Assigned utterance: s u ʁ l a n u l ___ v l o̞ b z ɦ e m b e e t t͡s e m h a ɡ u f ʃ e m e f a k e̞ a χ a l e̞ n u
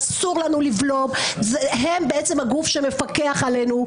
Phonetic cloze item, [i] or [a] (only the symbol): i